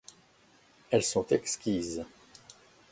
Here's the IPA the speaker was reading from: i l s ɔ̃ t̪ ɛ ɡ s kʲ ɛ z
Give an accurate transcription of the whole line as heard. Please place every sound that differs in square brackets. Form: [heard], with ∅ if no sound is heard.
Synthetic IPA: [ɛ] l s ɔ̃ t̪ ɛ [k] s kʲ [i] z